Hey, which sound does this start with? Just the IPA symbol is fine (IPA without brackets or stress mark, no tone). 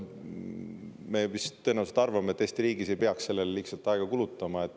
m